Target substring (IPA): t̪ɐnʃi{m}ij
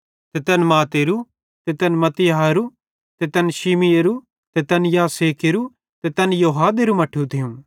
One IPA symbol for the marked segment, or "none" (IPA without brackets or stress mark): m